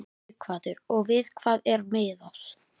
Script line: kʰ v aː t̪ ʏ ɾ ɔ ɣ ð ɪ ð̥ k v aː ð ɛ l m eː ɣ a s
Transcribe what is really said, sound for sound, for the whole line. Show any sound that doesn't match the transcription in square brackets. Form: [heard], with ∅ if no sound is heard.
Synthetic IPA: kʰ v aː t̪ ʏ ɾ ɔ ɣ [v] ɪ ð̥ [kʰ] v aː ð ɛ [ɾ] m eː [ð] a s

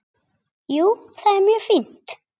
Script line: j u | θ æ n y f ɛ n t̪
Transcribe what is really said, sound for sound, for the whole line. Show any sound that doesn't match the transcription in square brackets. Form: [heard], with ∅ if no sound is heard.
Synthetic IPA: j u | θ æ [m] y f [i] n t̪

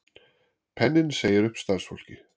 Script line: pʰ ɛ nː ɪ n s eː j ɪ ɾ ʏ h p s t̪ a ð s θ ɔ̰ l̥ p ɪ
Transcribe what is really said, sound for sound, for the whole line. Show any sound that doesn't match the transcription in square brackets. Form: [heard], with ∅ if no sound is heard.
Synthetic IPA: pʰ ɛ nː ɪ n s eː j ɪ ɾ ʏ h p s t̪ a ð s [f] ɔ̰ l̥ [c] ɪ

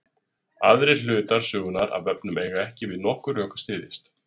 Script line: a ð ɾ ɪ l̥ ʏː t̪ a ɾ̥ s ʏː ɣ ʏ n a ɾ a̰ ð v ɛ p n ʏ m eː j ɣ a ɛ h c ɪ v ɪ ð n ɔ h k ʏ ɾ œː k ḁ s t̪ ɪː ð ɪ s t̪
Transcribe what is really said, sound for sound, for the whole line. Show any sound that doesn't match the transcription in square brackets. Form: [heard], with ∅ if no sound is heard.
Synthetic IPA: a ð ɾ ɪ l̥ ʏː t̪ a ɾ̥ s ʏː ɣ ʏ n a ɾ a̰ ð v ɛ p n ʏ m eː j ɣ a ɛ h c ɪ v ɪ ð n ɔ h k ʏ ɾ œː k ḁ s t̪ ɪː ð ɪ s t̪

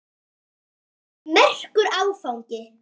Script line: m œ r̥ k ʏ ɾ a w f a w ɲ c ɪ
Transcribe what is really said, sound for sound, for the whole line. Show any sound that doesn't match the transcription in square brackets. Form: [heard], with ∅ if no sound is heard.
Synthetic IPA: m [ɛ] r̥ k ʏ ɾ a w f a w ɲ c ɪ

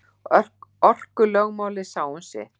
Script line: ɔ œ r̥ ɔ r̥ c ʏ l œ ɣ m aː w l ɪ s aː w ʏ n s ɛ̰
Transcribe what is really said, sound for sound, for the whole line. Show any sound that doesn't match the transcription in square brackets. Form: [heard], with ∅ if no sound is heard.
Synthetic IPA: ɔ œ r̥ ɔ r̥ [k] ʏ l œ ɣ m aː w l ɪ s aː w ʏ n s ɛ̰

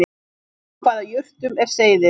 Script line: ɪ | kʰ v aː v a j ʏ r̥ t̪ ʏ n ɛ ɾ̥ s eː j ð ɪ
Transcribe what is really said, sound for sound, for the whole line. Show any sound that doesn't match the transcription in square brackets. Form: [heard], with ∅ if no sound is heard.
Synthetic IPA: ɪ | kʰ v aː [ð] a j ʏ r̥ t̪ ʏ [m] ɛ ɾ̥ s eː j ð ɪ

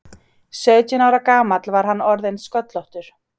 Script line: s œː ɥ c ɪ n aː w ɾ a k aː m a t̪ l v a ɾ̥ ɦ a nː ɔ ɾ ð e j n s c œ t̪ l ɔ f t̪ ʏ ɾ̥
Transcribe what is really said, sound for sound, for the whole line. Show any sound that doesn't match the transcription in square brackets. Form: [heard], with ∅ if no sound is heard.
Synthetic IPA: s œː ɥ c ɪ n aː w ɾ a k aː m a t̪ l v a ɾ̥ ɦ a nː ɔ ɾ ð e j n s [k] œ t̪ l ɔ [h] t̪ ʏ ɾ̥

